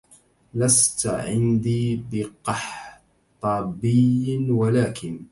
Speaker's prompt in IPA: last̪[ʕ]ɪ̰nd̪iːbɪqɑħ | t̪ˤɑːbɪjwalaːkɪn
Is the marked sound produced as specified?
yes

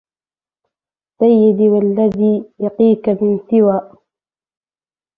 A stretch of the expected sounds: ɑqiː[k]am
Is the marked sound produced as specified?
yes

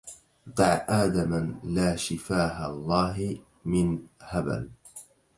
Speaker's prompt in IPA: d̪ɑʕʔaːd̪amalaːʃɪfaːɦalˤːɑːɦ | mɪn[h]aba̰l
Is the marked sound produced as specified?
yes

